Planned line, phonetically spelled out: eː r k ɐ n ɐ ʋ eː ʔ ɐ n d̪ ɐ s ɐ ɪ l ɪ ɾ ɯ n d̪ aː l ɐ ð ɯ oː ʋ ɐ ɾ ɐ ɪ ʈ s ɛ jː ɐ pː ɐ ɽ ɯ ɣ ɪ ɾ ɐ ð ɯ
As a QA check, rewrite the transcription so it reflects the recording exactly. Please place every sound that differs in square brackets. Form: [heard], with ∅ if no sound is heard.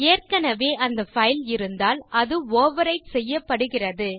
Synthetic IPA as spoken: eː r k ɐ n ɐ ʋ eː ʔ ɐ n d̪ ɐ [f] ɐ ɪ l ɪ ɾ ɯ n d̪ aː l ɐ ð ɯ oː ʋ ɐ ɾ ɐ ɪ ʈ s ɛ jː ɐ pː ɐ ɽ ɯ ɣ ɪ [r] ɐ ð ɯ